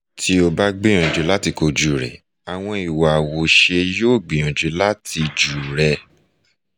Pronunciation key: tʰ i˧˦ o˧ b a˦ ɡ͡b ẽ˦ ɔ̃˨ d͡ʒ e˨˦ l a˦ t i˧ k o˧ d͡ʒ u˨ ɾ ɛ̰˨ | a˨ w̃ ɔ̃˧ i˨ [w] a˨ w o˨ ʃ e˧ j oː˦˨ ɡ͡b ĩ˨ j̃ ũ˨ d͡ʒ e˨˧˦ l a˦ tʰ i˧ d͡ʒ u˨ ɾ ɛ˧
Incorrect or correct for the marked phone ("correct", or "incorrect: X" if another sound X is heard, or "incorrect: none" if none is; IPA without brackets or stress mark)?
correct